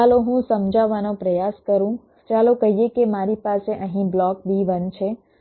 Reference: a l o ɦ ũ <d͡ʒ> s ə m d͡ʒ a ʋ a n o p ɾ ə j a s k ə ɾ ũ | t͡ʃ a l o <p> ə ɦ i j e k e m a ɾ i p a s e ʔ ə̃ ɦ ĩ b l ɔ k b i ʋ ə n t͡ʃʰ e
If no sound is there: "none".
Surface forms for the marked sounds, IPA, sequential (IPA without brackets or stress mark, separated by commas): none, k